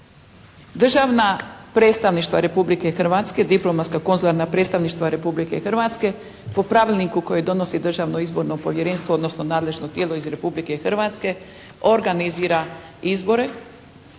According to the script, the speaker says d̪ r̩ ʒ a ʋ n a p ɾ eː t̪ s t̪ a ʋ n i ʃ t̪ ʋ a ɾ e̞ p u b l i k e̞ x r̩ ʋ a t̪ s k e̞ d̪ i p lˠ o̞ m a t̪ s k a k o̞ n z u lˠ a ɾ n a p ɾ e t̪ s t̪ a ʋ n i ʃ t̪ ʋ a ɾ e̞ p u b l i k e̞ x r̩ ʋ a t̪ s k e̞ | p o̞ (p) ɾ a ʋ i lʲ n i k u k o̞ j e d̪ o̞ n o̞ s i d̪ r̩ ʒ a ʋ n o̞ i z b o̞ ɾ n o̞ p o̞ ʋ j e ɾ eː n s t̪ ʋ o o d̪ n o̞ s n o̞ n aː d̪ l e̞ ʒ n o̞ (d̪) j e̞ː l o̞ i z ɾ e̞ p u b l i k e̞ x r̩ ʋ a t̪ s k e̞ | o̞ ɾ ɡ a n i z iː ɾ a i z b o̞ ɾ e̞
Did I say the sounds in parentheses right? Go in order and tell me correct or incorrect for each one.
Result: correct, incorrect: t̪

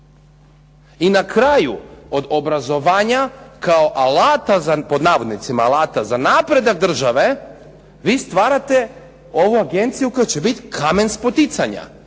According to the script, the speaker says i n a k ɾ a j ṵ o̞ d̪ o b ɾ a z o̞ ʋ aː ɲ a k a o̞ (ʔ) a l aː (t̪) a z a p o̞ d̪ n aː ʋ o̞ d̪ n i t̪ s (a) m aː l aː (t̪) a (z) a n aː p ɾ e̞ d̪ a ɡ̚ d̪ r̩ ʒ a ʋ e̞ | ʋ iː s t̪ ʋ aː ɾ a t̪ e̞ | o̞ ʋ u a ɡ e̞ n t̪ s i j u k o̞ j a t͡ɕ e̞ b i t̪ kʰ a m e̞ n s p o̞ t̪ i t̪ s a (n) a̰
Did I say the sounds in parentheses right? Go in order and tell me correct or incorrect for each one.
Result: correct, correct, incorrect: i, correct, correct, incorrect: ɲ

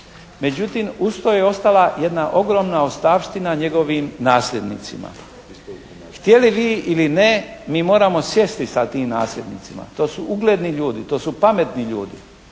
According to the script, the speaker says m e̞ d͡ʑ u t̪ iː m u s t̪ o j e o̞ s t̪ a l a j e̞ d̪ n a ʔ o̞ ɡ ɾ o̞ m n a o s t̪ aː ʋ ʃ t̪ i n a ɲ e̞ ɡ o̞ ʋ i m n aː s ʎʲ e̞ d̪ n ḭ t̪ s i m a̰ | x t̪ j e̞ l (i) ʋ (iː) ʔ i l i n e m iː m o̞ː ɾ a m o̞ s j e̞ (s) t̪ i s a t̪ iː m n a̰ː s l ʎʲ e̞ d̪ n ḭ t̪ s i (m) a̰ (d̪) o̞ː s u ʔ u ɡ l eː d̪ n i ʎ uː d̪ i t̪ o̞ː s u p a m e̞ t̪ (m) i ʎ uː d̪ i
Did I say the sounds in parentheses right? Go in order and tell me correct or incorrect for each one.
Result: correct, correct, correct, correct, incorrect: t̪, incorrect: n

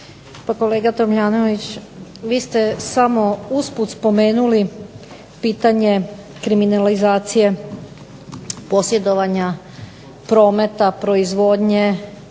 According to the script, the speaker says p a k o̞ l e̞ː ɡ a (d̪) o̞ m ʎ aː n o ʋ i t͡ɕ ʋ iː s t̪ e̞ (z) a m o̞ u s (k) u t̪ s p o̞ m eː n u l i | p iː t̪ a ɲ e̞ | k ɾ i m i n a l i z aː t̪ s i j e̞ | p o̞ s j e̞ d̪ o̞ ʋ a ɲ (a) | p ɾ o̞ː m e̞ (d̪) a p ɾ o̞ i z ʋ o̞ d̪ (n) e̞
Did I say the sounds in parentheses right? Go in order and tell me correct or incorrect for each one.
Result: incorrect: t̪, incorrect: s, incorrect: p, correct, incorrect: t̪, incorrect: ɲ

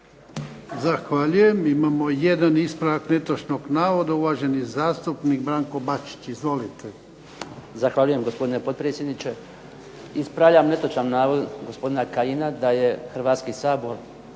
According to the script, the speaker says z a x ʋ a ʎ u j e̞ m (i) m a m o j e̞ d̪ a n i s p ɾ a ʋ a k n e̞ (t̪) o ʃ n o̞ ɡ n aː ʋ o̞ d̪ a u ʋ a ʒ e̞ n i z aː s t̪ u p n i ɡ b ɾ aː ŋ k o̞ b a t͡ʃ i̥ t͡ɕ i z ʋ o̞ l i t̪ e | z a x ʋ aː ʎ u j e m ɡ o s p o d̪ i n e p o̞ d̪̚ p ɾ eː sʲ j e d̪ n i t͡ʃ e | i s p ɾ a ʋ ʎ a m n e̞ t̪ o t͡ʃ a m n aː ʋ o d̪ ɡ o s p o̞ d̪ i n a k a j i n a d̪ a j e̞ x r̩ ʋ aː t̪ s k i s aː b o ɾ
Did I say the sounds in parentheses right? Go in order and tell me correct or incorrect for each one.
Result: correct, correct

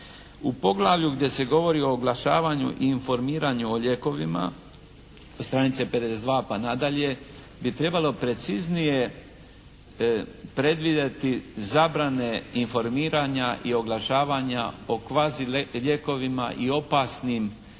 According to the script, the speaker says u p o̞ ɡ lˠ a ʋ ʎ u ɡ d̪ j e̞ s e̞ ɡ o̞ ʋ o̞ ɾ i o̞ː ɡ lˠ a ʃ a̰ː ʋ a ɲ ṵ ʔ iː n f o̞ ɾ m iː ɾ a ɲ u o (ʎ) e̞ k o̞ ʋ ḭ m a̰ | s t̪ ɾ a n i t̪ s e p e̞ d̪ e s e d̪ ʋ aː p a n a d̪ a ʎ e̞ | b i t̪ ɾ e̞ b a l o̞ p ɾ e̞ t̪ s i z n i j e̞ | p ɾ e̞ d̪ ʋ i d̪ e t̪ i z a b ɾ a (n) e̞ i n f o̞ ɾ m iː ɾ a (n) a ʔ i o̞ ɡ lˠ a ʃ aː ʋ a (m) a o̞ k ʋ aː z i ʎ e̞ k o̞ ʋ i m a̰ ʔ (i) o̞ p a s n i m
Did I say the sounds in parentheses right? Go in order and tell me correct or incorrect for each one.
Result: correct, correct, incorrect: ɲ, incorrect: ɲ, correct

